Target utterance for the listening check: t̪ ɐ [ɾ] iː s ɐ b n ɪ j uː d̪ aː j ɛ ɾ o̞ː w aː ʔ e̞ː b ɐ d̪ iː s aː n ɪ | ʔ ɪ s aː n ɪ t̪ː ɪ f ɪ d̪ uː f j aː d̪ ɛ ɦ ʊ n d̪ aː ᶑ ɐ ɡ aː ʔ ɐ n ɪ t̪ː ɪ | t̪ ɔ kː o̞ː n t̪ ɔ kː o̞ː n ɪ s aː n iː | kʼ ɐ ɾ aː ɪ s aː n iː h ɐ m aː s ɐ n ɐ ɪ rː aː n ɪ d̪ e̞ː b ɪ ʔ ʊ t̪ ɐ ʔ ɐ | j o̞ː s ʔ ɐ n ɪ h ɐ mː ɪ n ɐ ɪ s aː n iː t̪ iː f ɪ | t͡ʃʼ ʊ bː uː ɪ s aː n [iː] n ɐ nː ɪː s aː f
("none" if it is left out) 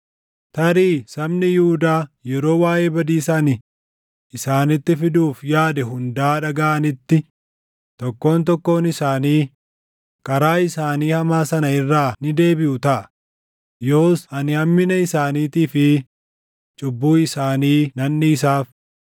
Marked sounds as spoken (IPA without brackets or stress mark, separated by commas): ɾ, iː